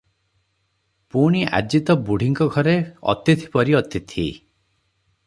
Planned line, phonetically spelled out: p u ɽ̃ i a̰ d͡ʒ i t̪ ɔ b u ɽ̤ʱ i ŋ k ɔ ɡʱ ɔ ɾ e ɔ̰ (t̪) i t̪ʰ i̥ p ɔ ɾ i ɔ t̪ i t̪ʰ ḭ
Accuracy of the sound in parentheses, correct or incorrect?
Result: correct